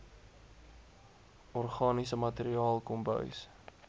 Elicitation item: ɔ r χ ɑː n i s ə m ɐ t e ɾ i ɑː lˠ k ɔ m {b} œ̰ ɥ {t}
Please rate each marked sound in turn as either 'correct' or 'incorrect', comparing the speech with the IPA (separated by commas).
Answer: correct, incorrect